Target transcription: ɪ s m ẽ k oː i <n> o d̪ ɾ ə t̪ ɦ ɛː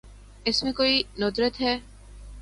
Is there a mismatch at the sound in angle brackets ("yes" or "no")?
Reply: no